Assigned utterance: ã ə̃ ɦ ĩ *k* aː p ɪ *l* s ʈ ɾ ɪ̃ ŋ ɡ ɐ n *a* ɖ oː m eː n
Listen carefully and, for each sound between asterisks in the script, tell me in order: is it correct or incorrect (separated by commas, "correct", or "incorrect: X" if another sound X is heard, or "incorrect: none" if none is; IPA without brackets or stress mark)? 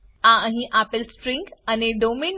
incorrect: ʔ, correct, incorrect: e